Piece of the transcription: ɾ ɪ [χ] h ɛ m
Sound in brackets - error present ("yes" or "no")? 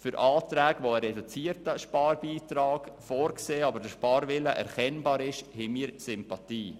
yes